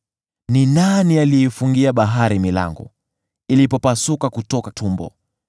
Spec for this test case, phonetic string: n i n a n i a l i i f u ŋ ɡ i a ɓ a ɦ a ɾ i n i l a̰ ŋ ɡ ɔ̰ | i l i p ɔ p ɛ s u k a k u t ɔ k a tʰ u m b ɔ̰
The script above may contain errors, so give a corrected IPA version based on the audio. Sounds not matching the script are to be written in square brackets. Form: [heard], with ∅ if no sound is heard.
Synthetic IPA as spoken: n i n a n i a l i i f u ŋ ɡ i a ɓ a ɦ a ɾ i [m] i l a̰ ŋ ɡ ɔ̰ | i l i p ɔ p [a] s u k a k u t ɔ k a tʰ u m b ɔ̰